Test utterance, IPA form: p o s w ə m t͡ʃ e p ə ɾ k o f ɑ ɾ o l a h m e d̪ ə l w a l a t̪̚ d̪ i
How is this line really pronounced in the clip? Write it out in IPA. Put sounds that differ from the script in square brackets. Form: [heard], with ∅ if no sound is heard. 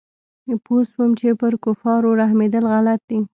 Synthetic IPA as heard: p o s w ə m t͡ʃ e p ə ɾ k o f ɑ ɾ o [ɾ] a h m e d̪ ə l [ɣ] a l a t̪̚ d̪ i